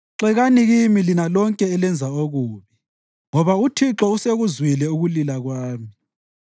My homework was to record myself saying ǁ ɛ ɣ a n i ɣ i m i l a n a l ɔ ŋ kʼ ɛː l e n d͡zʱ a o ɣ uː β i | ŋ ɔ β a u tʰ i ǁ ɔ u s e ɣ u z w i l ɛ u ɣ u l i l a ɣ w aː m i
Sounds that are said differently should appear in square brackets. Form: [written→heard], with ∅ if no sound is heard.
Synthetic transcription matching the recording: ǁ ɛ ɣ a n i ɣ i m i l [a→i] n a l ɔ ŋ kʼ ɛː l [e→ɛ] n d͡zʱ a o ɣ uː β i | ŋ ɔ β a u tʰ i ǁ ɔ u s e ɣ u z w i l ɛ u ɣ u l i l a ɣ w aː m i